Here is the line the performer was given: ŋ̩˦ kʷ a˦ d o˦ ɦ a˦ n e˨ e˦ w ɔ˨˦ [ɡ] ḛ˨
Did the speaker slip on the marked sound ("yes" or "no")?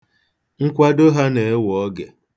no